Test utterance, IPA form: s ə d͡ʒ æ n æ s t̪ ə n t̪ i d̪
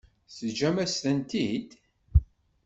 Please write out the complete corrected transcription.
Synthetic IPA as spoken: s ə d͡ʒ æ m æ s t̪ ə n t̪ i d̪